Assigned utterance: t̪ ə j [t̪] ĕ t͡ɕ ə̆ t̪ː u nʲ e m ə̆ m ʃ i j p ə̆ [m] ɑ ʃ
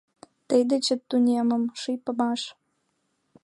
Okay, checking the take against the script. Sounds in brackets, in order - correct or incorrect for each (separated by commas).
incorrect, correct